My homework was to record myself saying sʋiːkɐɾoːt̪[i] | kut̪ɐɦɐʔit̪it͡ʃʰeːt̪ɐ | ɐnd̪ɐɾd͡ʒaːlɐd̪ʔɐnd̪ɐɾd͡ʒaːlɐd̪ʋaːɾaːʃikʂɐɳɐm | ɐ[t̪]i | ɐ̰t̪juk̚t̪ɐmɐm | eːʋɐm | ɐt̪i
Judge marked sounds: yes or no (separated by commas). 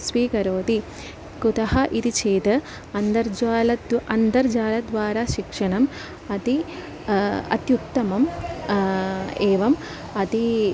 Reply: yes, yes